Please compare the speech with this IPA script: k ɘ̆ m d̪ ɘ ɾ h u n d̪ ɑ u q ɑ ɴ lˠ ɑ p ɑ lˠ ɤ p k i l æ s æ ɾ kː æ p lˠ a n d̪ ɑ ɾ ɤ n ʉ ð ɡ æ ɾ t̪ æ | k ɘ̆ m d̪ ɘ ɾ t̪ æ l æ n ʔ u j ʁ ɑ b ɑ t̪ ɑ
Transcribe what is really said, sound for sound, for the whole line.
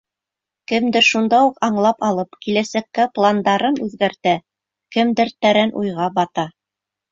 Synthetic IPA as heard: k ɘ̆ m d̪ ɘ ɾ ʃ u n d̪ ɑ u q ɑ ɴ lˠ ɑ p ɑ lˠ ɤ p k i l æ s æ kː æ p lˠ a n d̪ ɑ ɾ ɤ n ʉ ð ɡ æ ɾ t̪ æ | k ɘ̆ m d̪ ɘ ɾ t̪ æ ɾ æ n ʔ u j ʁ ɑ b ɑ t̪ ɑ